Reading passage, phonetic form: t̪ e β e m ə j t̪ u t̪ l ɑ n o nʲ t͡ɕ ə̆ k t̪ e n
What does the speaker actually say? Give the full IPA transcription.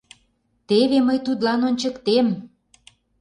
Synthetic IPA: t̪ e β e m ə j t̪ u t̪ l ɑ n o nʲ t͡ɕ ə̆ k t̪ e m